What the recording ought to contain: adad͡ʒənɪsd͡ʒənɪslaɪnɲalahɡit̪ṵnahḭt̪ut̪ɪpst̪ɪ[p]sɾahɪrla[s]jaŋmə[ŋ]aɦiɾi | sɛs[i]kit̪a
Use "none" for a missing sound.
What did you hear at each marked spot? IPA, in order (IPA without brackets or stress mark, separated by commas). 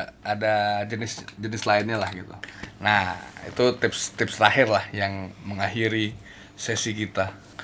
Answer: p, h, ŋ, i